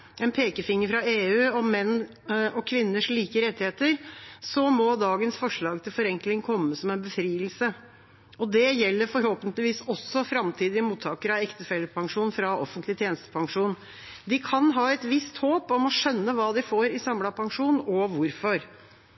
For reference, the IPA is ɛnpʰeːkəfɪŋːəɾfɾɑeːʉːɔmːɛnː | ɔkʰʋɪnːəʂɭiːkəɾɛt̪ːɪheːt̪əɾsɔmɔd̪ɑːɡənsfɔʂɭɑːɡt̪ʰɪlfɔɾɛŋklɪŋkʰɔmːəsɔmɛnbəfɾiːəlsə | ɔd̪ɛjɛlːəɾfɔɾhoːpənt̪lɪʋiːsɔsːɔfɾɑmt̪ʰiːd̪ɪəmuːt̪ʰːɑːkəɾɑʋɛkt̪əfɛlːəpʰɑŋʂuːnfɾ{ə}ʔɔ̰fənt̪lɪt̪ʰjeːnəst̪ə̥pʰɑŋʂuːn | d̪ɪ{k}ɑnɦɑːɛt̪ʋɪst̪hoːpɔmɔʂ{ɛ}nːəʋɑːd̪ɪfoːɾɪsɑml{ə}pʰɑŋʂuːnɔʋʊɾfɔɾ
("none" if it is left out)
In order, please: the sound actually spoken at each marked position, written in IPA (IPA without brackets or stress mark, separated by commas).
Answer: ɑ, kʰ, œ, ɑ